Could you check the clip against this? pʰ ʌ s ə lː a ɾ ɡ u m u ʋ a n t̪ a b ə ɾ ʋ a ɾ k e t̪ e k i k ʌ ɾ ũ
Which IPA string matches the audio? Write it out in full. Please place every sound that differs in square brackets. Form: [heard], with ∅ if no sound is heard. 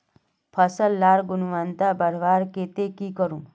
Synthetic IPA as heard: pʰ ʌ s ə lː a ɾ ɡ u [n] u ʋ a n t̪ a b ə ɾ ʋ a ɾ k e t̪ e k i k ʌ ɾ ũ